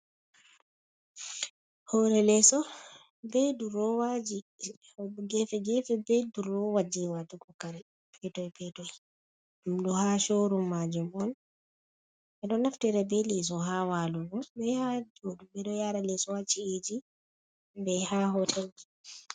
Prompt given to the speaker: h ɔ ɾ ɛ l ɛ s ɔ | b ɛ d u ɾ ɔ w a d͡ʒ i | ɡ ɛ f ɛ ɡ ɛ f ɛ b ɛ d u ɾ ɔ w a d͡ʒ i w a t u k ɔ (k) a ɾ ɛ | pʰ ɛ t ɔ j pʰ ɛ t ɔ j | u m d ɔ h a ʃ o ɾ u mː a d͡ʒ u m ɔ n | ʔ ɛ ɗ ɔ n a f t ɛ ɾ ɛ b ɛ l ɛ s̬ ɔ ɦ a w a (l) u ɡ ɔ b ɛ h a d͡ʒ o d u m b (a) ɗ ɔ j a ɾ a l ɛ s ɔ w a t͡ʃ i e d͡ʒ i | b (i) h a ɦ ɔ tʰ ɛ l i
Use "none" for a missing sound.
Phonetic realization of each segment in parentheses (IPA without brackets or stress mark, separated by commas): k, l, ɛ, ɛ